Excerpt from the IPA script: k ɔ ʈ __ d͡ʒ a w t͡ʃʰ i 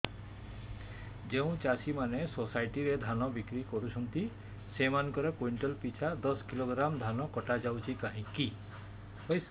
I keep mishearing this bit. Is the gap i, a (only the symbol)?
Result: a